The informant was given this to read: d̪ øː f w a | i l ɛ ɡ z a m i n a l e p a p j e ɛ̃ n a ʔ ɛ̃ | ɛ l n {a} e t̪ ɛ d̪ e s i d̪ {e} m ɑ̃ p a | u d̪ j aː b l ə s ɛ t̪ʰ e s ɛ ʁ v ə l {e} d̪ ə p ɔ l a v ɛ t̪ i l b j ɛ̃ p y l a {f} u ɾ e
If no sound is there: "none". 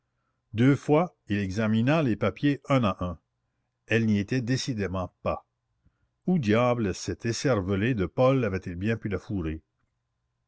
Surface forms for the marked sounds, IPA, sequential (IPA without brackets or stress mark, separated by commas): i, e, e, f